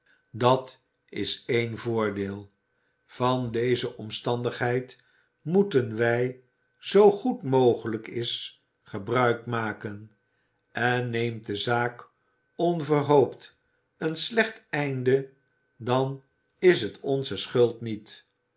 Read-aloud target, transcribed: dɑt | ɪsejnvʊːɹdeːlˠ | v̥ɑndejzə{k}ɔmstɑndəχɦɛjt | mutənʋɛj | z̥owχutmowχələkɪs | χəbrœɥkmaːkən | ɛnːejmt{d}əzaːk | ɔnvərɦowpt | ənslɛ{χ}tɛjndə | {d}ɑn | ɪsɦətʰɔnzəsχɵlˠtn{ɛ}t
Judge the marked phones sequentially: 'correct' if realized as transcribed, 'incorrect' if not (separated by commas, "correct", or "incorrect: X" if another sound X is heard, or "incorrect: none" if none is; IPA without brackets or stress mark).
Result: incorrect: ʔ, correct, correct, correct, incorrect: i